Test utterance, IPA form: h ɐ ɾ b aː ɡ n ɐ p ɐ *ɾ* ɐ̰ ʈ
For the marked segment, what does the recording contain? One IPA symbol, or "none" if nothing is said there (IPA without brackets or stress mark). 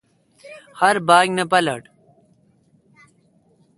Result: l